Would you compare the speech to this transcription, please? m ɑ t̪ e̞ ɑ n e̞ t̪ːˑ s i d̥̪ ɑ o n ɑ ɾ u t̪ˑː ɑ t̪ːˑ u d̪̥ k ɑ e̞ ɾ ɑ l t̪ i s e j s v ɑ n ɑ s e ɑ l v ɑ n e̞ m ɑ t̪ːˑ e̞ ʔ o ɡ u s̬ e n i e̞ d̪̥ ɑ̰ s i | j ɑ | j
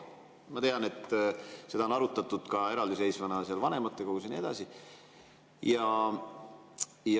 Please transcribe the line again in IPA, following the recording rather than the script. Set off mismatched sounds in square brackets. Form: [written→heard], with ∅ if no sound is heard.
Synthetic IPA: m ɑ t̪ e̞ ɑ n e̞ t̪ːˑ s [i→e] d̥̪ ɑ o n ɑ ɾ u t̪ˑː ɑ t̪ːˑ u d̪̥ k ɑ e̞ ɾ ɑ l [t̪→d̪] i s e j s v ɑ n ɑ s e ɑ l v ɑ n e̞ m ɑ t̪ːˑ e̞ [ʔ→k] o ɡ u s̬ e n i e̞ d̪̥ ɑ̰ s i | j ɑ | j

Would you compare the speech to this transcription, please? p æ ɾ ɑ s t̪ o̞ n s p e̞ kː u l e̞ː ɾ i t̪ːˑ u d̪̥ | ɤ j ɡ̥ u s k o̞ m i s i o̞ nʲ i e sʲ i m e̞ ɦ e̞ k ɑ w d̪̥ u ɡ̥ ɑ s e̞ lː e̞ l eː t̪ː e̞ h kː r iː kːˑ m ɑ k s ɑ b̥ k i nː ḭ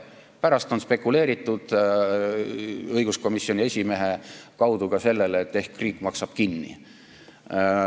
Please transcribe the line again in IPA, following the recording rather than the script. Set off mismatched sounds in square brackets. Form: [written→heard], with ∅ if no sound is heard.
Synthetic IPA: p æ ɾ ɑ s t̪ o̞ n s p e̞ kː u l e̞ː ɾ i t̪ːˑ u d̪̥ | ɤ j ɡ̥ u s k o̞ m i s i o̞ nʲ i e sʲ i m e̞ ɦ e̞ k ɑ w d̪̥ u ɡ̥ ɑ s e̞ lː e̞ l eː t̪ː e̞ h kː r iː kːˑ m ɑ k s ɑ b̥ k i nː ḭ

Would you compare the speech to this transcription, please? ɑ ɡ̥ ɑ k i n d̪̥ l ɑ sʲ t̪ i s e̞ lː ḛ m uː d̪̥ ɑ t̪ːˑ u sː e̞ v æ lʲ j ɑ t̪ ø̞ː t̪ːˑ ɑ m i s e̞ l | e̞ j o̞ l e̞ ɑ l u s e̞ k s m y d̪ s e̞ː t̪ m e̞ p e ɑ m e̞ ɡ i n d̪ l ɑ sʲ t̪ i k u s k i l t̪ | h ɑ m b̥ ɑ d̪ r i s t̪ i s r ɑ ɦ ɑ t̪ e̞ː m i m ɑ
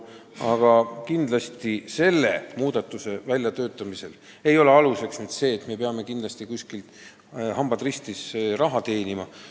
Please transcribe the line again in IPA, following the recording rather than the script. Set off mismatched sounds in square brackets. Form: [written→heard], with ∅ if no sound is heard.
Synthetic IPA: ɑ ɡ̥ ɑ k i n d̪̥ l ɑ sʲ t̪ i s e̞ lː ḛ m uː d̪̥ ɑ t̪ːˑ u [sː→s] e̞ v æ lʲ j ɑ t̪ ø̞ː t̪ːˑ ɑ m i s e̞ l | e̞ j o̞ l e̞ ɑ l u s e̞ k s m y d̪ s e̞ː t̪ m e̞ p e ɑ m e̞ [ɡ→k] i n d̪ l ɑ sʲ t̪ i k u s k i l t̪ | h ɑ m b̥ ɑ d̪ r i s t̪ i s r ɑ ɦ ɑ t̪ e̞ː [m→n] i m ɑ

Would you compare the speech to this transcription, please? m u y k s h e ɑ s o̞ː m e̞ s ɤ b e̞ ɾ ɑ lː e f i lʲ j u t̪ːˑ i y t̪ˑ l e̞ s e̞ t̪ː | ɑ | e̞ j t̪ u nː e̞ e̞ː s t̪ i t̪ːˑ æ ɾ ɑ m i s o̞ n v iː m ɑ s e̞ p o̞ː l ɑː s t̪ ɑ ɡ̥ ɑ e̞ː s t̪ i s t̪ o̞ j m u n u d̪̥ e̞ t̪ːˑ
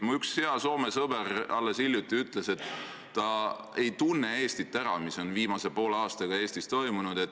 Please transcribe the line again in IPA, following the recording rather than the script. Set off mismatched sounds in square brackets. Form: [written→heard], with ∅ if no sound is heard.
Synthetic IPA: m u y k s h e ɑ s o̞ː m e̞ s ɤ b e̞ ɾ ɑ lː e [f→s] i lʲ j u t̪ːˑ i y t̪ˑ l e̞ s e̞ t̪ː | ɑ | e̞ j t̪ u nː e̞ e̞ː s t̪ i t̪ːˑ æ ɾ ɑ m i s o̞ n v iː m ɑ s e̞ p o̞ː l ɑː s t̪ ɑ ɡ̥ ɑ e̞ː s t̪ i s t̪ o̞ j m u n u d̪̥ e̞ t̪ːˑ

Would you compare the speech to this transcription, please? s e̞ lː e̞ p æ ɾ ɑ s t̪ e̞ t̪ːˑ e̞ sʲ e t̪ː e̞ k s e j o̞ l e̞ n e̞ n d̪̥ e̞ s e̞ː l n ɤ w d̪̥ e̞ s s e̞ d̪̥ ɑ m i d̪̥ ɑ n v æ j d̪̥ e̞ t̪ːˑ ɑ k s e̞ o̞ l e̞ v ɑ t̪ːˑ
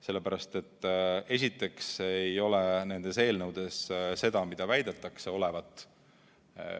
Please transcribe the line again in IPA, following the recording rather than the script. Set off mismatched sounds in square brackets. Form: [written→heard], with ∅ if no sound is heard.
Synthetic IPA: s e̞ lː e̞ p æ ɾ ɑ s t̪ e̞ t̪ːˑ e̞ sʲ [e→i] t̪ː e̞ k s e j o̞ l e̞ n e̞ n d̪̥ e̞ s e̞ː l n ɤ w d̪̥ e̞ s s e̞ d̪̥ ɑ m i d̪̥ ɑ [n→∅] v æ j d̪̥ e̞ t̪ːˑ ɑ k s e̞ o̞ l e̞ v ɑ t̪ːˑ

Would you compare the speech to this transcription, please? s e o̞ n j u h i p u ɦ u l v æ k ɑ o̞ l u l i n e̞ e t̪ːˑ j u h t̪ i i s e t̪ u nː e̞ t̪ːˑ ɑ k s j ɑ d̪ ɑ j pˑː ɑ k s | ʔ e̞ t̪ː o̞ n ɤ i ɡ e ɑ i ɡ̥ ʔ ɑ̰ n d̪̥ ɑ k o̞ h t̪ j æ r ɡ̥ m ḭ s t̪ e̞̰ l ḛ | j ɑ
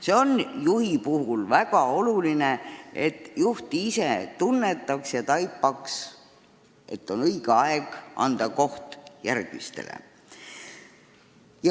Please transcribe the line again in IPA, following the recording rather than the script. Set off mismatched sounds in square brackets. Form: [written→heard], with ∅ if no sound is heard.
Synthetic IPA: s e o̞ n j u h i p u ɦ u l v æ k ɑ o̞ l u l i n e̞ e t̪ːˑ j u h t̪ i i s e t̪ u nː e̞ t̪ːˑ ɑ k s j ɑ [d̪→t̪] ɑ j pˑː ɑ k s | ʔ e̞ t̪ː o̞ n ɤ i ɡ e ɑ [i→e] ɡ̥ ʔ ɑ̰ n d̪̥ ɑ k o̞ h t̪ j æ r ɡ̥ m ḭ s t̪ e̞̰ l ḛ | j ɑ

